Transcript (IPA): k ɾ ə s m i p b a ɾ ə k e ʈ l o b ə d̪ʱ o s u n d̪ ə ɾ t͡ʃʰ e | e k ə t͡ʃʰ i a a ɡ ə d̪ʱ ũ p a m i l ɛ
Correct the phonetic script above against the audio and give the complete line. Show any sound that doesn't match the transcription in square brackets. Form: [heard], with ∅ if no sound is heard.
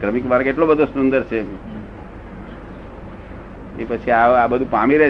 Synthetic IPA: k ɾ ə [∅] m i [k] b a ɾ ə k e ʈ l o b ə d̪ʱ o s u n d̪ ə ɾ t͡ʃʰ e | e [p] ə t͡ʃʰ i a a [b] ə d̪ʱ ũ p a m i [ɾ] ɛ